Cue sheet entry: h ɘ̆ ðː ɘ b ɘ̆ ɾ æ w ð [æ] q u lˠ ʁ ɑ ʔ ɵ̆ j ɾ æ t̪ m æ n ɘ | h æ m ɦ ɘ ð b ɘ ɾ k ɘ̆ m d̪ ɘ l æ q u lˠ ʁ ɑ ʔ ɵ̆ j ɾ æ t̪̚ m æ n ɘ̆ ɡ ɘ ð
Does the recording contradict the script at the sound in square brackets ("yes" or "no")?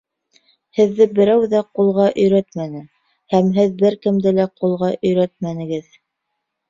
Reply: no